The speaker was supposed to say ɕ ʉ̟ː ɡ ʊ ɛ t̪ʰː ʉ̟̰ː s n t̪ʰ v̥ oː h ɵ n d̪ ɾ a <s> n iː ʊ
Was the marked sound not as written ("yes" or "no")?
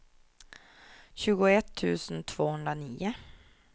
yes